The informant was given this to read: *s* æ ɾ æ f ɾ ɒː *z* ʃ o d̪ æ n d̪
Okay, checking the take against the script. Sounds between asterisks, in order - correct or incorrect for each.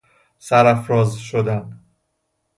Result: correct, correct

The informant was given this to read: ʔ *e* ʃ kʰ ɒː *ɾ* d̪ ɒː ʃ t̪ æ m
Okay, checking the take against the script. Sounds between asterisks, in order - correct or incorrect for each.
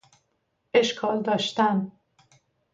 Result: correct, incorrect

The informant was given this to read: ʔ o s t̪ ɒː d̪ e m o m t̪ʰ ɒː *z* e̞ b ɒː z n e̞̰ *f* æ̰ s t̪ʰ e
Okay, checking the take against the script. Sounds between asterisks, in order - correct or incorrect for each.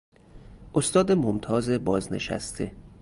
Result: correct, incorrect

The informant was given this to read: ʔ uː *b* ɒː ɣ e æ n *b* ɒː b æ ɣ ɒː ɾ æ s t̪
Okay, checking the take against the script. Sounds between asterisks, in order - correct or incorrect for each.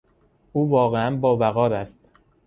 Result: incorrect, correct

